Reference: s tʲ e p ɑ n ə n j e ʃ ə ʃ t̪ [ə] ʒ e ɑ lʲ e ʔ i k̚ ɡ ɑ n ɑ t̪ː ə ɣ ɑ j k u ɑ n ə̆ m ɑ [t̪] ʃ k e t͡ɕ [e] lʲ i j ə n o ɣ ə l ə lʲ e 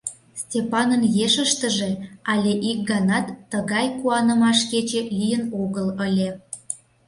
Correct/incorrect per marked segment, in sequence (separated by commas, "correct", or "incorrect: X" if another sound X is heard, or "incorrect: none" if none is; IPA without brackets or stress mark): correct, incorrect: none, correct